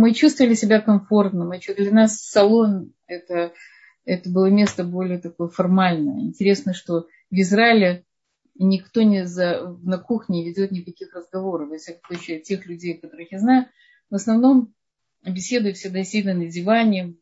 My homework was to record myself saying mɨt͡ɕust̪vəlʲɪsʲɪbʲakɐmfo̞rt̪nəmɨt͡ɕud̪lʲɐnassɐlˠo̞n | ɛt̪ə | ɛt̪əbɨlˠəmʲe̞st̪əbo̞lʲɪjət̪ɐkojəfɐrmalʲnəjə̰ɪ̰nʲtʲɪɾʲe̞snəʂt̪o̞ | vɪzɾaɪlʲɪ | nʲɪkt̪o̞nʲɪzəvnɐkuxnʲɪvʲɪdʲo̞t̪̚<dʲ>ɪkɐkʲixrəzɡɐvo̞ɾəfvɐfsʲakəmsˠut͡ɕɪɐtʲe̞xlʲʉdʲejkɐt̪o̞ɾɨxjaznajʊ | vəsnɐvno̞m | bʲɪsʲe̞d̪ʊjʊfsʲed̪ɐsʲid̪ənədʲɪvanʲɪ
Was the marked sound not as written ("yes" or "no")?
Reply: yes